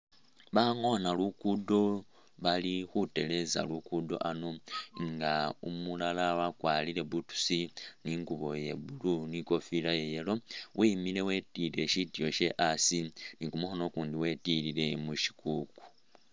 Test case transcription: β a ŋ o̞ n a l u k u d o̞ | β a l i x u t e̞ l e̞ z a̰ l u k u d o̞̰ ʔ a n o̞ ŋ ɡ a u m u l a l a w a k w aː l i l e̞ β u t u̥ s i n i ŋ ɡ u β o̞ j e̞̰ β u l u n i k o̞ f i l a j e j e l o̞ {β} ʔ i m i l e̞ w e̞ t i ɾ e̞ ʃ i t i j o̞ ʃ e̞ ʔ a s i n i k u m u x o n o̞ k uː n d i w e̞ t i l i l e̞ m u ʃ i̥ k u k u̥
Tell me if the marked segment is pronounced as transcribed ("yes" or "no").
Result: no